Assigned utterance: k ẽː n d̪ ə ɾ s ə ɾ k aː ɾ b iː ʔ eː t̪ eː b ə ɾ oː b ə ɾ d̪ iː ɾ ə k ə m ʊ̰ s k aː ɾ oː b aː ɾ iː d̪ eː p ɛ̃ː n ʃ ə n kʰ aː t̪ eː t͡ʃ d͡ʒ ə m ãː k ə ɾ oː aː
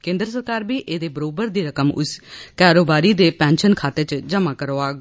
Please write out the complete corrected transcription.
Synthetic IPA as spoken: k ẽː n d̪ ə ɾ s ə ɾ k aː ɾ b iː ʔ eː d̪ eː b ə ɾ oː b ə ɾ d̪ iː ɾ ə k ə m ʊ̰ s k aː ɾ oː b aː ɾ iː d̪ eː p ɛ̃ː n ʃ ə n kʰ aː t̪ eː t͡ʃ d͡ʒ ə m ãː k ə ɾ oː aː

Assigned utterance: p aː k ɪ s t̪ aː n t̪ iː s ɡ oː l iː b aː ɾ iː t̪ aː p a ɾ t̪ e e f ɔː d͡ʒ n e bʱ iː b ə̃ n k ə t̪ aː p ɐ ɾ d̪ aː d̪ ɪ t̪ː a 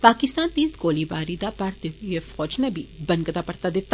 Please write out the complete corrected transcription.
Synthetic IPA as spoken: p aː k ɪ s t̪ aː n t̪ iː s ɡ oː l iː b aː ɾ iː d̪ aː p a ɾ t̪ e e f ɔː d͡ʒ n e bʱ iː b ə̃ n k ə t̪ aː p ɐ ɾ t̪ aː d̪ ɪ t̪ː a

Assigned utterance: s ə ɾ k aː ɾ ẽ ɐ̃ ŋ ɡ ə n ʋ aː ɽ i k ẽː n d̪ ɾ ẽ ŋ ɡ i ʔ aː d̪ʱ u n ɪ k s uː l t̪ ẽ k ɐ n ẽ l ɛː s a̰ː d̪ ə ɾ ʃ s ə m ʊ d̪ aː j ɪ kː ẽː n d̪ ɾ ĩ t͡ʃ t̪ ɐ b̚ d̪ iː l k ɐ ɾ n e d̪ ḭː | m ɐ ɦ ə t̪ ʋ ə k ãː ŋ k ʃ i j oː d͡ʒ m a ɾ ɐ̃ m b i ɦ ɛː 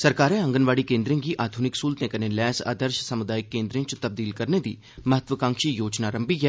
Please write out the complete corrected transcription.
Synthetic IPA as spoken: s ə ɾ k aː ɾ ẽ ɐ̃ ŋ ɡ ə n ʋ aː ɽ i k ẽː n d̪ ɾ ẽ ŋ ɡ i ʔ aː d̪ʱ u n ɪ k s uː l t̪ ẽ k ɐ n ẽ l ɛː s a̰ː d̪ ə ɾ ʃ s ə m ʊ d̪ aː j ɪ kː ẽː n d̪ ɾ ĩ t͡ʃ t̪ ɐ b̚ d̪ iː l k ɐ ɾ n e d̪ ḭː | m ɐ ɦ ə t̪ ʋ ə k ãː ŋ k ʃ i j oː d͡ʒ n a ɾ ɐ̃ m b i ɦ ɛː

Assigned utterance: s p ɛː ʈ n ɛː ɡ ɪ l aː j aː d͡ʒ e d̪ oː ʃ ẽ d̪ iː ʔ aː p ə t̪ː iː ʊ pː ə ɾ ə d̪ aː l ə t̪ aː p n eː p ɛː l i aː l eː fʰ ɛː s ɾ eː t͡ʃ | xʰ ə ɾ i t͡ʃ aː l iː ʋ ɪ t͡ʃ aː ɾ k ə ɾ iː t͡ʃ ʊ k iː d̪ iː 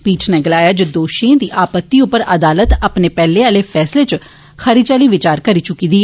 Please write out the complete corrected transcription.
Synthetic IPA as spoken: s p iː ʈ n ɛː ɡ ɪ l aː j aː d͡ʒ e d̪ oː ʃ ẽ d̪ iː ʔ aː p ə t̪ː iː ʊ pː ə ɾ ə d̪ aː l ə t̪ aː p n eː p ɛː l e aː l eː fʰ ɛː s l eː t͡ʃ | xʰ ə ɾ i t͡ʃ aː l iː ʋ ɪ t͡ʃ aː ɾ k ə ɾ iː t͡ʃ ʊ k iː d̪ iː

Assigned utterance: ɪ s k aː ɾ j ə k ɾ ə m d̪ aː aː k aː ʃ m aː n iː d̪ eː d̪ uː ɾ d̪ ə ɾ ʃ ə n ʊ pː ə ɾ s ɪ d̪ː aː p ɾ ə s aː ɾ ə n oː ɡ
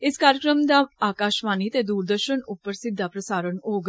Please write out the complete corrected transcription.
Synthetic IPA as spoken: ɪ s k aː ɾ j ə k ɾ ə m d̪ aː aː k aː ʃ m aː n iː t̪ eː d̪ uː ɾ d̪ ə ɾ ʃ ə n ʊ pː ə ɾ s ɪ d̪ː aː p ɾ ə s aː ɾ ə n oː ɡ

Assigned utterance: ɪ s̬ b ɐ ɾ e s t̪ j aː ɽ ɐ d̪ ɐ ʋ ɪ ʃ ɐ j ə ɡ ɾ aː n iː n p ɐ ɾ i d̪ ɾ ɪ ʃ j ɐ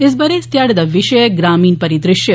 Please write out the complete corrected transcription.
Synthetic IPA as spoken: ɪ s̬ b ɐ ɾ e s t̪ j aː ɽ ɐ d̪ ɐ ʋ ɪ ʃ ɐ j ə ɡ ɾ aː m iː n p ɐ ɾ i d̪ ɾ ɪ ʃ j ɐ

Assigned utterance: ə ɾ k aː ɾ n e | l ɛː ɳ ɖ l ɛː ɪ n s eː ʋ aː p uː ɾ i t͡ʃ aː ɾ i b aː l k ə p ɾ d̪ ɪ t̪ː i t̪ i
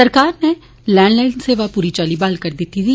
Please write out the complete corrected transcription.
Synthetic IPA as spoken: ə ɾ k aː ɾ n e | l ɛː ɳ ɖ l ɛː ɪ n s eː ʋ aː p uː ɾ i t͡ʃ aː l i b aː l k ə ɾ d̪ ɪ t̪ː i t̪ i

